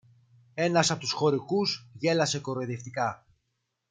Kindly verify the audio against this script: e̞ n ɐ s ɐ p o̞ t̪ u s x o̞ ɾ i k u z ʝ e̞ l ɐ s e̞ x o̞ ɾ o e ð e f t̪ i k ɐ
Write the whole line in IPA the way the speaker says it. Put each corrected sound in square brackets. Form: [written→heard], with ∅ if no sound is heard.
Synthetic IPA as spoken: e̞ n ɐ s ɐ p o̞ t̪ u s x o̞ ɾ i k u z ʝ e̞ l ɐ s e̞ [x→k] o̞ ɾ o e ð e f t̪ i k ɐ